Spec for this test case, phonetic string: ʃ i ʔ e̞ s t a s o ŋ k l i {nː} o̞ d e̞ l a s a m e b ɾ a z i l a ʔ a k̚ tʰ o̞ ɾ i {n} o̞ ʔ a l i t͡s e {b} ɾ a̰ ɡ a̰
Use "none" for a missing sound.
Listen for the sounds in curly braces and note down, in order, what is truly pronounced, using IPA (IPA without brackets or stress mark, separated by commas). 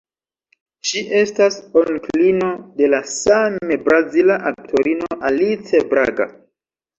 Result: n, n, b